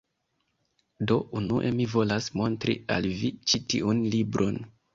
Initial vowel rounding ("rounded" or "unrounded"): rounded